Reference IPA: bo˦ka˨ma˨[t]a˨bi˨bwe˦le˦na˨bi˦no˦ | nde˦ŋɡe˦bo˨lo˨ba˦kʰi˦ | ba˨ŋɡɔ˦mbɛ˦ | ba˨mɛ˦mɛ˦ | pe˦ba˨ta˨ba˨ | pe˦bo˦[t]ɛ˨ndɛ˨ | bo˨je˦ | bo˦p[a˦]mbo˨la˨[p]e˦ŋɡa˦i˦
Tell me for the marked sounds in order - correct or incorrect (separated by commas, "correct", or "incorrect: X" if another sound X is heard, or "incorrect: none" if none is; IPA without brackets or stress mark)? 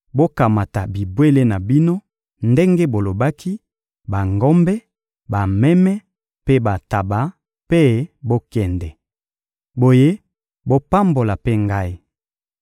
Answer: correct, incorrect: k, correct, correct